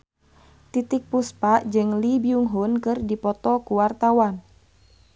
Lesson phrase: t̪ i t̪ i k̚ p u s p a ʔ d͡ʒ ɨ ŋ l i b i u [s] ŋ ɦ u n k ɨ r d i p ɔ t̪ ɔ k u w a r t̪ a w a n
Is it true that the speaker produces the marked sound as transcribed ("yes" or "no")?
no